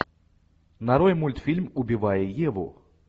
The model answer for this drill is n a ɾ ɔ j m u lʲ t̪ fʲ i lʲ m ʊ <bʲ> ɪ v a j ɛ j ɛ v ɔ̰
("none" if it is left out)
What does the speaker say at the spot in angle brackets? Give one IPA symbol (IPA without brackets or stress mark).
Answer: bʲ